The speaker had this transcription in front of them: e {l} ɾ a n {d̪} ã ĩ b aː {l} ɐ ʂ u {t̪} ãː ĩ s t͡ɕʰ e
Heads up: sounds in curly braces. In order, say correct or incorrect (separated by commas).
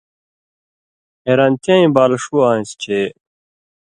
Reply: incorrect, incorrect, correct, incorrect